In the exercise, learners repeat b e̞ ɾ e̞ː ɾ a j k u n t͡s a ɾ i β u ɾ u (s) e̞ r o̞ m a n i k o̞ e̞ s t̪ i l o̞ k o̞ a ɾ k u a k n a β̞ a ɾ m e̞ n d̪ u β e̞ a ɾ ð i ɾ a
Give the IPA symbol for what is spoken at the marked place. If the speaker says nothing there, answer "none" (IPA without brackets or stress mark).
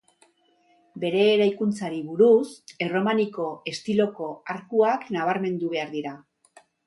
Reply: s